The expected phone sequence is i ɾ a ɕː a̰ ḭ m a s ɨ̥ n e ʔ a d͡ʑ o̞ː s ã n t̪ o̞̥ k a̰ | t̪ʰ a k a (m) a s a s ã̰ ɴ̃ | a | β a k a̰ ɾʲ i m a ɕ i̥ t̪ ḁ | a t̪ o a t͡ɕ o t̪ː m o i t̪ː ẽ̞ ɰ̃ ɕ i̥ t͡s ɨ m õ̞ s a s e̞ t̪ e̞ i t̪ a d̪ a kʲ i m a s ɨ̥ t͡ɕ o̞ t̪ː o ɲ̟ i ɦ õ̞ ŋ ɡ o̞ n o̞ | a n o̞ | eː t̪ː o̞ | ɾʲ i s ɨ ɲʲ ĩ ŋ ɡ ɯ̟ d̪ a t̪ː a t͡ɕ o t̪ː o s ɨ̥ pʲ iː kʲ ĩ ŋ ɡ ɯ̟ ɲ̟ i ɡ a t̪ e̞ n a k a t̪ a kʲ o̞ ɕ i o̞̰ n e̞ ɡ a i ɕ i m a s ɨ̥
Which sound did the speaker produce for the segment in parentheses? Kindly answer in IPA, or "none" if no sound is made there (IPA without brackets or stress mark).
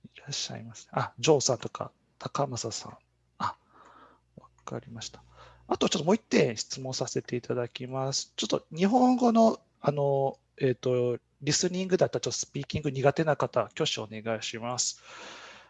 m